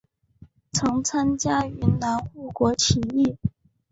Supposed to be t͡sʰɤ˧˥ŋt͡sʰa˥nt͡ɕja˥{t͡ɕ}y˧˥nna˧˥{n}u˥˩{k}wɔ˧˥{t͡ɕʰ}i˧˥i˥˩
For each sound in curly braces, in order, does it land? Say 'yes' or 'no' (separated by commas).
no, yes, yes, yes